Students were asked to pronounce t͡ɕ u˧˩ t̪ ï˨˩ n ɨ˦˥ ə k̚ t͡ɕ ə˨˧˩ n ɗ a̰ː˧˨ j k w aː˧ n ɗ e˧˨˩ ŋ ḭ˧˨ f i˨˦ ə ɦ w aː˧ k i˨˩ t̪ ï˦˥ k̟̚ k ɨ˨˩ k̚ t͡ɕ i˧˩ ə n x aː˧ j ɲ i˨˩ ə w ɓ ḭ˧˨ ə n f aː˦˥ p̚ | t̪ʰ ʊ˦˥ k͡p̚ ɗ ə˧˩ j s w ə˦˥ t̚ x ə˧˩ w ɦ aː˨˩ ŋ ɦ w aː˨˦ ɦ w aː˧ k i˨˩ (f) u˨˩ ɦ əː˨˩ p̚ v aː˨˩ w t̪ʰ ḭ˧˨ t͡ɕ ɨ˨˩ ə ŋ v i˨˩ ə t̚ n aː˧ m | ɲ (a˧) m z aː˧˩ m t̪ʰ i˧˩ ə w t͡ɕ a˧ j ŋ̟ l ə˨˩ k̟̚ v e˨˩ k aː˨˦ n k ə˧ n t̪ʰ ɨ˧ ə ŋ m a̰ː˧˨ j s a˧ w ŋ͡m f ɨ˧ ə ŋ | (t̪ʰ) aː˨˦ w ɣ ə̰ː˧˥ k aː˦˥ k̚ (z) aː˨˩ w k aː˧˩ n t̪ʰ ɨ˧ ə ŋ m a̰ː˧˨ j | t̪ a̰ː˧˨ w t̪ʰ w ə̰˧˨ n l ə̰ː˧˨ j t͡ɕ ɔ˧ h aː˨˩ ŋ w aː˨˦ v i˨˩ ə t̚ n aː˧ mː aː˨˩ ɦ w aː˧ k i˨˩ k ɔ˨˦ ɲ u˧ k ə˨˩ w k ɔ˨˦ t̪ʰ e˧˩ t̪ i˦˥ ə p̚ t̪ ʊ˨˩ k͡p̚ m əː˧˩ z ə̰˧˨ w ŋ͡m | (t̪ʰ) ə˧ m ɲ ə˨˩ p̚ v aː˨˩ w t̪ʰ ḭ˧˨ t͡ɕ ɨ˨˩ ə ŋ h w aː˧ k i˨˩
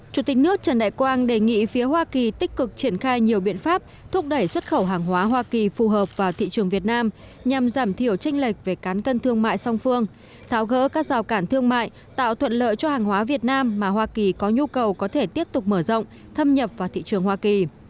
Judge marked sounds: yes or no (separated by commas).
yes, no, yes, yes, yes